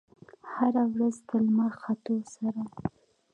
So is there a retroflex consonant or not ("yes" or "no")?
no